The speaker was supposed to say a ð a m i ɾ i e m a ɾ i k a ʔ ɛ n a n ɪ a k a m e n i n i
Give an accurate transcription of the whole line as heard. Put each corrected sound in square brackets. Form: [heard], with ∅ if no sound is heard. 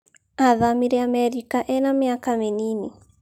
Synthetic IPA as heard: a ð a m i ɾ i [a] m [ɛ] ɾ i k a ʔ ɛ n a [m] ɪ a k a m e n i n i

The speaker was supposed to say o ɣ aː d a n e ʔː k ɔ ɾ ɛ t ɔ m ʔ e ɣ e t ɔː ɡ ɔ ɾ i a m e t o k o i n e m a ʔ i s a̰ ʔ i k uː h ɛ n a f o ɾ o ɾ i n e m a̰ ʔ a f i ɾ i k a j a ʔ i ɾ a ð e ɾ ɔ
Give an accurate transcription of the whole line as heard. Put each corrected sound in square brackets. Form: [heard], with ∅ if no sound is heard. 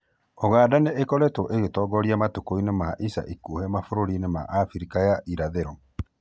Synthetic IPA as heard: o ɣ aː d a n e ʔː k ɔ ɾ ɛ t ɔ [∅] ʔ e ɣ e t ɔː ɡ ɔ ɾ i a m [a] t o k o i n e m a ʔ i s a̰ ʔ i k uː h ɛ [m] a f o ɾ o ɾ i n e m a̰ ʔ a f i ɾ i k a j a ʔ i ɾ a ð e ɾ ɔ

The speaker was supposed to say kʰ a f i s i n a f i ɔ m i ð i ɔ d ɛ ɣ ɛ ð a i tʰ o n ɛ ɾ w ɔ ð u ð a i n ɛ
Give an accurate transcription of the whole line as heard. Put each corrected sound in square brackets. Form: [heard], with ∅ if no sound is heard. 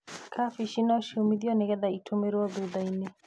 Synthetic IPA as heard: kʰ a f i [ʃ] i n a [ʃ] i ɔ m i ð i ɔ [n] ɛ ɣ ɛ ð a i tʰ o [m] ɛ ɾ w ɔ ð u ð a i n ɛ

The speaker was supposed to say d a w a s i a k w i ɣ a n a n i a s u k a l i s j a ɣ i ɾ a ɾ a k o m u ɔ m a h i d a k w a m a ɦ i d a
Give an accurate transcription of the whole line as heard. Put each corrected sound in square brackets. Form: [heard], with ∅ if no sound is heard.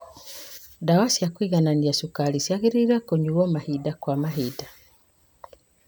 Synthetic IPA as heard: d a w a s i a k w i ɣ a n a n i a s u k a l i s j a ɣ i ɾ [i] ɾ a k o [ɲ] u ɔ m a h i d a k w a m a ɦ i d a

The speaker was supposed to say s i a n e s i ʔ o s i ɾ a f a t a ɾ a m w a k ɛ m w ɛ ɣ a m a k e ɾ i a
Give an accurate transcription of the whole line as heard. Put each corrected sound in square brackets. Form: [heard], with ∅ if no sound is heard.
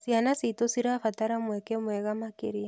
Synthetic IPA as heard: s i a n [a] s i [t] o s i ɾ a f a t a ɾ a m w [ɛ] k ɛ m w ɛ ɣ a m a k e ɾ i a

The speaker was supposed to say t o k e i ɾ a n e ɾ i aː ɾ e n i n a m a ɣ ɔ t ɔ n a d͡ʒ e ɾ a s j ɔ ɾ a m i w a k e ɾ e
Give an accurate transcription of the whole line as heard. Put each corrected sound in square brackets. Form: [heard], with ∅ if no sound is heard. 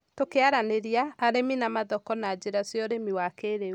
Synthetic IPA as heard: t o k e [a] ɾ a n e ɾ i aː ɾ e [m] i n a m a [ð] ɔ [k] ɔ n a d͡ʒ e ɾ a s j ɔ ɾ [e] m i w a k e ɾ e

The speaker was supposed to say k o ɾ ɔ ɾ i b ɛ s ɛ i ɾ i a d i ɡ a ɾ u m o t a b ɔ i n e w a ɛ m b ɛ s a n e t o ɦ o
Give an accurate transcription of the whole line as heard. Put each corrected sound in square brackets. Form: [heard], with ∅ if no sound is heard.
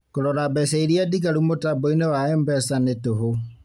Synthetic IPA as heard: k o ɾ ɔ ɾ [a] b ɛ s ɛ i ɾ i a d i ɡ a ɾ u m o t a b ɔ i n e w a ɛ m b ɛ s a n e t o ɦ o

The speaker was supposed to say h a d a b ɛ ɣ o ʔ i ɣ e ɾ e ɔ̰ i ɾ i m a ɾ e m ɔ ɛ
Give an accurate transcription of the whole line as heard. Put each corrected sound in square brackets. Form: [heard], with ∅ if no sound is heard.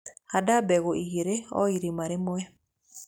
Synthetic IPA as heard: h a d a b ɛ ɣ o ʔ i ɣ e ɾ e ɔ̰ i ɾ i m a ɾ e m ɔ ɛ

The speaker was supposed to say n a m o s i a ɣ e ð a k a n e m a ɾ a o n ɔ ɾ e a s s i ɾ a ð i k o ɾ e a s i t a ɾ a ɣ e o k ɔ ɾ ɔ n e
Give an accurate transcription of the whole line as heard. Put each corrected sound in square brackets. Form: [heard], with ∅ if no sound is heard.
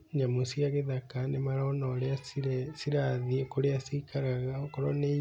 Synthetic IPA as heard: [ɲ] a m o s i a ɣ e ð a k a n e m a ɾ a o n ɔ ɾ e a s s i ɾ a ð i k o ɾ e a s i [k] a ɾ a ɣ [a] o k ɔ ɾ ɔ n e

